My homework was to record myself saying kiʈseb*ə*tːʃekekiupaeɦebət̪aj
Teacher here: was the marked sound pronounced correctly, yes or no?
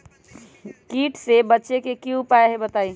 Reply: yes